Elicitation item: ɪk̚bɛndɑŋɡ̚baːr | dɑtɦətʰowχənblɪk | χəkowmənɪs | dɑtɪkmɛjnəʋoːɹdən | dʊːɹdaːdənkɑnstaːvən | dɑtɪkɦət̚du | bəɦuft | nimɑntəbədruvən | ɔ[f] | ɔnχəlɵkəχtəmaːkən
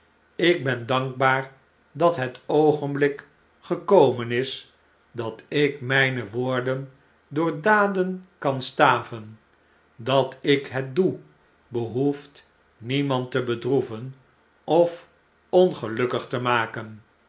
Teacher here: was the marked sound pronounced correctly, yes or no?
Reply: yes